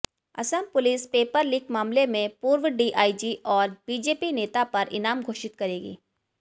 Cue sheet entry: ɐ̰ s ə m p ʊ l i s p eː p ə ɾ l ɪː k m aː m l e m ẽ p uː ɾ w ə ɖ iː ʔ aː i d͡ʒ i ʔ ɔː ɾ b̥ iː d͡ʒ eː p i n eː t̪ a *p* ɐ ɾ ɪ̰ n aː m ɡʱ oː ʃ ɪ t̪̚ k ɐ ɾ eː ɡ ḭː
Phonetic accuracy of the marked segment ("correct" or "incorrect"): correct